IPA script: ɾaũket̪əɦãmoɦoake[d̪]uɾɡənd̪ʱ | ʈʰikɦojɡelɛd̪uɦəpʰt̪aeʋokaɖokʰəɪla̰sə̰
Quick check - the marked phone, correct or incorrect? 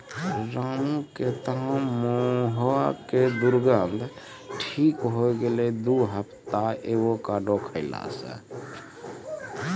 correct